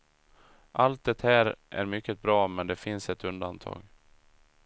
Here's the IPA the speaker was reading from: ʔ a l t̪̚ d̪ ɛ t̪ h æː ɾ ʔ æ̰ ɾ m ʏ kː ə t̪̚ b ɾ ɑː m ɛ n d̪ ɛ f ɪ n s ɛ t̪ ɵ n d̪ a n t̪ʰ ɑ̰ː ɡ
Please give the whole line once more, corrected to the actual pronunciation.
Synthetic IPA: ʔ a l t̪̚ d̪ ɛ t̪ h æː ɾ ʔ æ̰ ɾ m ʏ kː ə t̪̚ b ɾ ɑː m ɛ n d̪ ɛ f ɪ n s ɛ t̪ ɵ n d̪ a n t̪ʰ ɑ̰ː ɡ